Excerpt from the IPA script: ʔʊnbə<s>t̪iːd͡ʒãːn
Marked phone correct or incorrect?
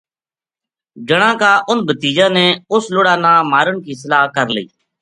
incorrect